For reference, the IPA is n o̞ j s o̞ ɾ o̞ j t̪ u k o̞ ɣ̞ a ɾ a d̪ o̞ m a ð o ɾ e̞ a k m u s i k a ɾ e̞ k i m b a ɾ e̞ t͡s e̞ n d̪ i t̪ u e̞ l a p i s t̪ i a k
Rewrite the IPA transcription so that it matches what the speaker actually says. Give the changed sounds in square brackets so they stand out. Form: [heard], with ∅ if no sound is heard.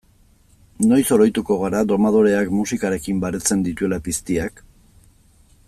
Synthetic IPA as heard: n o̞ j s o̞ ɾ o̞ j t̪ u k o̞ ɣ̞ a ɾ a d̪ o̞ m a ð o ɾ e̞ a k m u s i k a ɾ e̞ k i m b a ɾ e̞ t͡s e̞ n d̪ i t̪ u e̞ l a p i s t̪ i a k